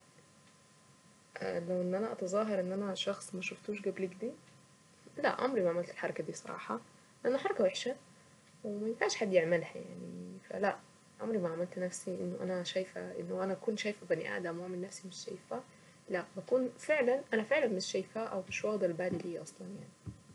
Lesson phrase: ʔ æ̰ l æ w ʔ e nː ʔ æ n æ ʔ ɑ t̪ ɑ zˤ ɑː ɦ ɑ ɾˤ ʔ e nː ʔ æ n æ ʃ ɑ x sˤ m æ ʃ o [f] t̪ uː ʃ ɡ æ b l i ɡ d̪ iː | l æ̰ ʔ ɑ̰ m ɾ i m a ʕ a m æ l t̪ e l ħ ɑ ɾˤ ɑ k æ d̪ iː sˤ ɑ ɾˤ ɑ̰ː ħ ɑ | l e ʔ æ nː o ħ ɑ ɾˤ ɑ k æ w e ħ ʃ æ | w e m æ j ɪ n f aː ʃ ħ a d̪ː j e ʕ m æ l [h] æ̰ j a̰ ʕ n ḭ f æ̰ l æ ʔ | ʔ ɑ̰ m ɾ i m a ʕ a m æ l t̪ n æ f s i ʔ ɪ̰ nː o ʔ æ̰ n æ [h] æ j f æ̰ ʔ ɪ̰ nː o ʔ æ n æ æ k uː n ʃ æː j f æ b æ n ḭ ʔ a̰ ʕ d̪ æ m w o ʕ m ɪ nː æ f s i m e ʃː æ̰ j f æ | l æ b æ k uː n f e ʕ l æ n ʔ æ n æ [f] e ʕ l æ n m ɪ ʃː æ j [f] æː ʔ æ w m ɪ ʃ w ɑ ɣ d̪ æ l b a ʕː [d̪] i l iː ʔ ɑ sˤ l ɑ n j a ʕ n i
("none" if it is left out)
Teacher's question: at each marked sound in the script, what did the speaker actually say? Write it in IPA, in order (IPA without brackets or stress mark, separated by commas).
f, h, ʃ, f, f, d̪